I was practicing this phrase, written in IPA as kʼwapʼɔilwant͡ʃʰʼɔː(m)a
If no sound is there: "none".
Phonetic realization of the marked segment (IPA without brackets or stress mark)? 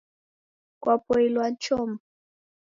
m